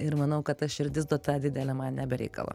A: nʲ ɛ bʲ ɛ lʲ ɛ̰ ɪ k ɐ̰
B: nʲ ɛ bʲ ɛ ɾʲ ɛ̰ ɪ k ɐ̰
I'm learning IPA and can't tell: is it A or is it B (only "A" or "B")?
B